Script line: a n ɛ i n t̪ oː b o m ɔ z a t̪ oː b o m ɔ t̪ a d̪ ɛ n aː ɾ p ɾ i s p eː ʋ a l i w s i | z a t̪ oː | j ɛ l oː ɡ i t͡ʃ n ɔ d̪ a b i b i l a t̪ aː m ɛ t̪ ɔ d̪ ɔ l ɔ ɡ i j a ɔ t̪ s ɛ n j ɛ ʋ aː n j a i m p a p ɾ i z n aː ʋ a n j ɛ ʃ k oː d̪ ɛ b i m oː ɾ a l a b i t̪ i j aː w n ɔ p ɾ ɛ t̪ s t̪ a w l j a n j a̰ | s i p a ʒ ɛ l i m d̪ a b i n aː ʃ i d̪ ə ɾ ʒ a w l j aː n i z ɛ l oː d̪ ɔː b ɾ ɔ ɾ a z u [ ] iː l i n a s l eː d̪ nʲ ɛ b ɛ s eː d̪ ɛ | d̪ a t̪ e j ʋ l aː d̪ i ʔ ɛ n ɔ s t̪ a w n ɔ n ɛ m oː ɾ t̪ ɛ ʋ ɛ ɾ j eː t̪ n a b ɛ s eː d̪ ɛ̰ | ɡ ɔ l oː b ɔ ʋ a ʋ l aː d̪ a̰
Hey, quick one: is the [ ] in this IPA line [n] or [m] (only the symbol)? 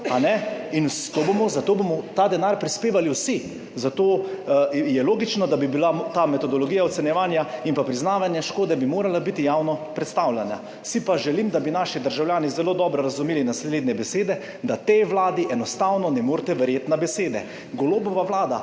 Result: m